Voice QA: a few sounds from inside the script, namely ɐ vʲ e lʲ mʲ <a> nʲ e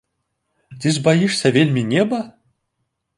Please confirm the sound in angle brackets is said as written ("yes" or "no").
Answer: no